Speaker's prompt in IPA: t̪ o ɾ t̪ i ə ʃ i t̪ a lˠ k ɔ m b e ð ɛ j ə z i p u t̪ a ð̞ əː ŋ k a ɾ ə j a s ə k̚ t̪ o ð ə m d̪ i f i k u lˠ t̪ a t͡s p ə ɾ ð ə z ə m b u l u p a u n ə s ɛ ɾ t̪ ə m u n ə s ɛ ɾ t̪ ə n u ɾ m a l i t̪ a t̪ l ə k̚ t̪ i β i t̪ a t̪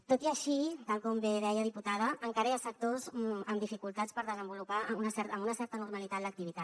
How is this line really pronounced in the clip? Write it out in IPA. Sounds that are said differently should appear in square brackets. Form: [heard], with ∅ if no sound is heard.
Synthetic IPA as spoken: t̪ o [∅] t̪ i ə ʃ i t̪ a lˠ k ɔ m b e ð ɛ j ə [ð] i p u t̪ a ð̞ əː ŋ k a ɾ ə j a s ə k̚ t̪ o [z] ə m d̪ i f i k u lˠ t̪ a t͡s p ə ɾ ð ə z ə m b u l u p a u n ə s ɛ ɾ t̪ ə m u n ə s ɛ ɾ t̪ ə n u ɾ m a l i t̪ a t̪ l ə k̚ t̪ i β i t̪ a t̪

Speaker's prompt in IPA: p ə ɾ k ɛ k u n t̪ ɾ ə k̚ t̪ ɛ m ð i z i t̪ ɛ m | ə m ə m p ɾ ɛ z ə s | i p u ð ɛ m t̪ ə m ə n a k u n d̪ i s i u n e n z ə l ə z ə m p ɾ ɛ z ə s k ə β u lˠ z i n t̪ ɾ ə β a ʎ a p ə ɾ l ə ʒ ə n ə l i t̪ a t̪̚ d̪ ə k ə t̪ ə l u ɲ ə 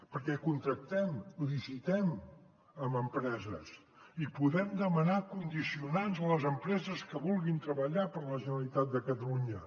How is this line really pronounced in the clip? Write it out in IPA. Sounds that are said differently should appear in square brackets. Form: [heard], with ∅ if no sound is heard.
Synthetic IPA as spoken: p ə ɾ k ɛ k u n t̪ ɾ ə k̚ t̪ ɛ m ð i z i t̪ ɛ m | ə m ə m p ɾ ɛ z ə s | i p u ð ɛ m [d̪] ə m ə n a k u n d̪ i s i u n [a] n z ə l ə z ə m p ɾ ɛ z ə s k ə β u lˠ [ɣ] i n t̪ ɾ ə β [ə] ʎ a p ə ɾ l ə ʒ ə n ə l i t̪ a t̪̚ d̪ ə k ə t̪ ə l u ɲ ə

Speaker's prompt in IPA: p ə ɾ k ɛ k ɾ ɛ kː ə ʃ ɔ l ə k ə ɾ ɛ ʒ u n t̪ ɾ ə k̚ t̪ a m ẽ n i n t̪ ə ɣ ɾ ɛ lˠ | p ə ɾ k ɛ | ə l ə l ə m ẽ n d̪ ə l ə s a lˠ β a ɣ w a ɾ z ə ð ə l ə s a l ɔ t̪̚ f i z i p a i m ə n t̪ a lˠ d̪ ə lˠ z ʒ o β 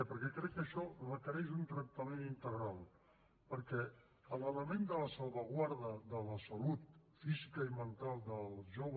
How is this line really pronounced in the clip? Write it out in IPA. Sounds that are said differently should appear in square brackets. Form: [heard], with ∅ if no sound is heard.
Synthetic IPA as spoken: p ə ɾ k ɛ k ɾ ɛ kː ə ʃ ɔ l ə k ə ɾ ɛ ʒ u n t̪ ɾ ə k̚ t̪ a m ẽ n i n t̪ ə ɣ ɾ [a] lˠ | p ə ɾ k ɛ | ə l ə l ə m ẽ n d̪ ə l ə s a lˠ β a ɣ w a ɾ [ð] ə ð ə l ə s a l [u] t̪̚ f i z i [k] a i m ə n t̪ a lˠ d̪ ə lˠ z ʒ o β

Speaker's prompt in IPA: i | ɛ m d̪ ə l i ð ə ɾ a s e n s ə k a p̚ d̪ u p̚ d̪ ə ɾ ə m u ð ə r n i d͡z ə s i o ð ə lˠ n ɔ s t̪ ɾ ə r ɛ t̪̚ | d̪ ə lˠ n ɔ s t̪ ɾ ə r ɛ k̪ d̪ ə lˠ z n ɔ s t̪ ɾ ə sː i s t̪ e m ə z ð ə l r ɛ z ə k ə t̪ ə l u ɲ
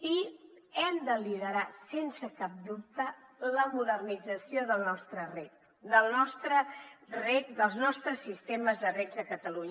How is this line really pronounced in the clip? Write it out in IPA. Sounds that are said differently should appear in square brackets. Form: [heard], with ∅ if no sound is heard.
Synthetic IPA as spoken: i | ɛ m d̪ ə l i ð ə ɾ a s e n s ə k a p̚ d̪ u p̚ [t̪] ə [l] ə m u ð ə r n i d͡z ə s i o ð ə lˠ n ɔ s t̪ ɾ ə r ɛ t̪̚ | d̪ ə lˠ n ɔ s t̪ ɾ ə r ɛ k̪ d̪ ə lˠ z n ɔ s t̪ ɾ ə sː i s t̪ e m ə z ð ə [∅] r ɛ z ə k ə t̪ ə l u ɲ

